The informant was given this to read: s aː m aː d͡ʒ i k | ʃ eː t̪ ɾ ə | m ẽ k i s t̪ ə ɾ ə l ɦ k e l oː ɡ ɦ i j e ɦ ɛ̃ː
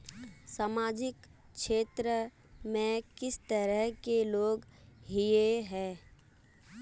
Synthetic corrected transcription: s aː m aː d͡ʒ ɪ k | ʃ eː t̪ ɾ ə | m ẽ k ɪ s t̪ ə ɾ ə ɦ k e l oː ɡ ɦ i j e ɦ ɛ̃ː